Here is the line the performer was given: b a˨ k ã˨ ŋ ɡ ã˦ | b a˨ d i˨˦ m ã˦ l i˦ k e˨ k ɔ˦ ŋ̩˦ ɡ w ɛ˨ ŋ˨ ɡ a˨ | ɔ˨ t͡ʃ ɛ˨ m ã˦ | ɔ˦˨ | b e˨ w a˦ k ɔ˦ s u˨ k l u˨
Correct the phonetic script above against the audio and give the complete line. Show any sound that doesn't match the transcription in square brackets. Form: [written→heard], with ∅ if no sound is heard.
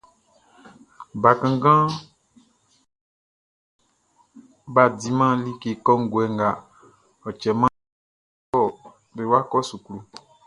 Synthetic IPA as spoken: b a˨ k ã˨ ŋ ɡ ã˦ | b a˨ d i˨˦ m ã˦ l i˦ k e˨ k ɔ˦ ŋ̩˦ ɡ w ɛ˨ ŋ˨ ɡ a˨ | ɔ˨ t͡ʃ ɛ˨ m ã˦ | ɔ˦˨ | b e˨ w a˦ k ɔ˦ s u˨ k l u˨